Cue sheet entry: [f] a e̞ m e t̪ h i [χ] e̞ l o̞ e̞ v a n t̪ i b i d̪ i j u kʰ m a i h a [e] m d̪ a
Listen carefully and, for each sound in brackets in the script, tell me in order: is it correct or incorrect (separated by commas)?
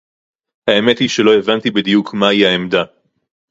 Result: incorrect, incorrect, correct